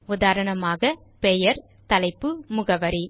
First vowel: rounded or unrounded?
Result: rounded